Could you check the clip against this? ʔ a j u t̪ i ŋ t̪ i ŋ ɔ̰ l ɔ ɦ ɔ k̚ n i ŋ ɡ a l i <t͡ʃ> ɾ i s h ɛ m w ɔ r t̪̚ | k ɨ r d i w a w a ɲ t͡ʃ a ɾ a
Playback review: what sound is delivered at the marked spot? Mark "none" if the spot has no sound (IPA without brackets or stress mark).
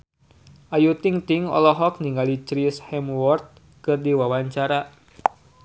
t͡ʃ